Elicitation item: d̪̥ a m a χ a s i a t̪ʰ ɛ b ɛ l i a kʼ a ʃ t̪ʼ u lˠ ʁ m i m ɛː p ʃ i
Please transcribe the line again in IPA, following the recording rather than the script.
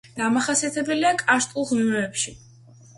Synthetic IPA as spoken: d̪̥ a m a χ a s i a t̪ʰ ɛ b ɛ l i a kʼ a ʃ t̪ʼ u lˠ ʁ m i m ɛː p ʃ i